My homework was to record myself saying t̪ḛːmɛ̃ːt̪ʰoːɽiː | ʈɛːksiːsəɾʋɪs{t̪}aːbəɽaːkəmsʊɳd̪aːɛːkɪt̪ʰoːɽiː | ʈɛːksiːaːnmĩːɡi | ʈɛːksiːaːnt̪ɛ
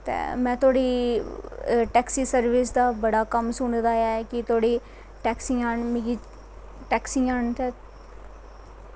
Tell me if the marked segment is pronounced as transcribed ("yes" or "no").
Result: no